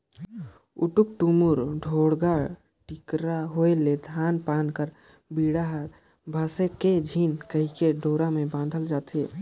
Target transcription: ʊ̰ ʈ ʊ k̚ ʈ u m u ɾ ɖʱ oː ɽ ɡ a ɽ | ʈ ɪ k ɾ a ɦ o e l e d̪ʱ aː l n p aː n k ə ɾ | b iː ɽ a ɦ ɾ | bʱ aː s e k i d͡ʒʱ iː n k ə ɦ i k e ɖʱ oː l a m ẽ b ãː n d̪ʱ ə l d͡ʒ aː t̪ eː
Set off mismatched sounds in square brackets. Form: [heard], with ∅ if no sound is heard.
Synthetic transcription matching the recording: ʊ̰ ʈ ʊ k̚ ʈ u m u ɾ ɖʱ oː ɽ ɡ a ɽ | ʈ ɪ k ɾ a ɦ o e l e d̪ʱ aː [∅] n p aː n k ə ɾ | b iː ɽ a ɦ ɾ | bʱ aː s e k [e] d͡ʒʱ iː n k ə ɦ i k e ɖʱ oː [ɾ] a m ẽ b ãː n d̪ʱ ə l d͡ʒ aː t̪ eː